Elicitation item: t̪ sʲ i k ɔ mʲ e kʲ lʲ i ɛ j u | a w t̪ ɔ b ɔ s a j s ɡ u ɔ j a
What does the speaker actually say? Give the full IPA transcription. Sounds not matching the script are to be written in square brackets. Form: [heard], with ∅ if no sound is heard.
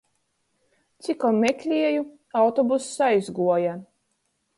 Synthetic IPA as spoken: t̪ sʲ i k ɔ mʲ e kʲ lʲ i ɛ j u | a w t̪ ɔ b [u] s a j [z] ɡ u ɔ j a